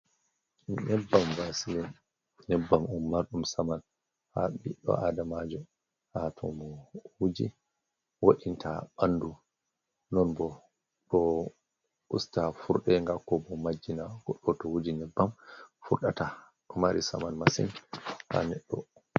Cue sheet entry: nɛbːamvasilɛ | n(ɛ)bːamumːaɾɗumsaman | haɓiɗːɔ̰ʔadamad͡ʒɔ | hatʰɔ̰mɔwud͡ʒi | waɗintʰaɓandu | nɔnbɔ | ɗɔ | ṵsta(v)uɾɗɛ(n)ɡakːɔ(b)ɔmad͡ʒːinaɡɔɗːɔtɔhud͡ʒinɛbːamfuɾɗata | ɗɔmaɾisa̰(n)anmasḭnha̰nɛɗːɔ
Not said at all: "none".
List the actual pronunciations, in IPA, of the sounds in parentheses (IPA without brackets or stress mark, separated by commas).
ɛ, f, ŋ, b, m